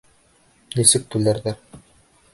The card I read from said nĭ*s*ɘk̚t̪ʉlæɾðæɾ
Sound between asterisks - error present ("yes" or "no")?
no